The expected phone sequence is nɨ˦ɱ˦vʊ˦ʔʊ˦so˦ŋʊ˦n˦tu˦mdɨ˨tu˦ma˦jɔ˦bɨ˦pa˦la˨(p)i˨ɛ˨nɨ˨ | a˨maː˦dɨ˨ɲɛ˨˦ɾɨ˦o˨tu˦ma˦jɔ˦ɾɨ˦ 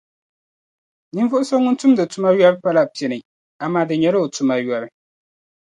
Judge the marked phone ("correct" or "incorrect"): correct